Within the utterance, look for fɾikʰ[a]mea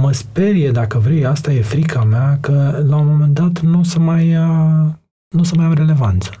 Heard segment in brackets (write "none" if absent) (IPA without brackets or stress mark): a